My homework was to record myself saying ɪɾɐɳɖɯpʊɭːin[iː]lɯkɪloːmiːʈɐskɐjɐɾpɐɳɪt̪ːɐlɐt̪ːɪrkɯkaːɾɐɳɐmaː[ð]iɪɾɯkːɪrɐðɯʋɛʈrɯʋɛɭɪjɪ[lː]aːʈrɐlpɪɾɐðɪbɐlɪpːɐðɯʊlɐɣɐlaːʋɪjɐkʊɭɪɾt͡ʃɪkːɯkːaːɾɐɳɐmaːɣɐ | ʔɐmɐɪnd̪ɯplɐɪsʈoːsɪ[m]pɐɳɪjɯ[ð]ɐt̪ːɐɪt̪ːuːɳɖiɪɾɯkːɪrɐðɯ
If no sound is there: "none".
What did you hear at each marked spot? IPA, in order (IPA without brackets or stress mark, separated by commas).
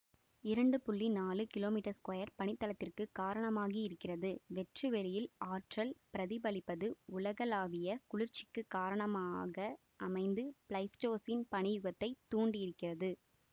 aː, ɣ, l, n, ɣ